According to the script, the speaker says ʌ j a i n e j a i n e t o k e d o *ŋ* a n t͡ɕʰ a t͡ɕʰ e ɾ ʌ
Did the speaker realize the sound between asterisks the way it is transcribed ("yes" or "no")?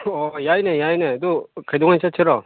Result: yes